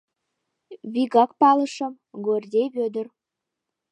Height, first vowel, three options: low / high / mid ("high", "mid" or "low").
high